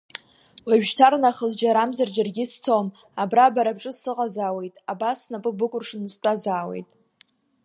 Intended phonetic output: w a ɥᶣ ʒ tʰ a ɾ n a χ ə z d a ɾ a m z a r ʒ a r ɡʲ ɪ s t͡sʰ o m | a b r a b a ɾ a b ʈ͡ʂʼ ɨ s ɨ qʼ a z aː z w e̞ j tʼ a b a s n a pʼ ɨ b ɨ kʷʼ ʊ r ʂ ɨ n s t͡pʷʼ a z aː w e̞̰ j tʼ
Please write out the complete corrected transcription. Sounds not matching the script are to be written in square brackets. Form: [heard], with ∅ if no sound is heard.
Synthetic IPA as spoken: w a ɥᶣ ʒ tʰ a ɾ n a χ ə z [d͡ʒ] a ɾ a m z a r [d͡ʒ] a r ɡʲ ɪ s t͡sʰ o m | a b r a b a ɾ a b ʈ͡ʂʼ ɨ s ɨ qʼ a z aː [∅] w e̞ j tʼ a b a s n a pʼ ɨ b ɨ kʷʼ ʊ r ʂ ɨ n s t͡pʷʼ a z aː w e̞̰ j tʼ